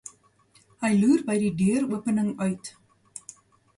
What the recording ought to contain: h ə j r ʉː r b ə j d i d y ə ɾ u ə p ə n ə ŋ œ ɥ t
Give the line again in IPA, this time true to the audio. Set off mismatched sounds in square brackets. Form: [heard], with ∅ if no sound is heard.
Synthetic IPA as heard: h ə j [l] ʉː r b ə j d i d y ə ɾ u ə p ə n ə ŋ œ ɥ t